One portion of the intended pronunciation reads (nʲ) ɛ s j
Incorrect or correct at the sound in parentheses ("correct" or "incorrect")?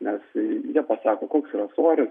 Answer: correct